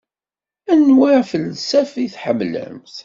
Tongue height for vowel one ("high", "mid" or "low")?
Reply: low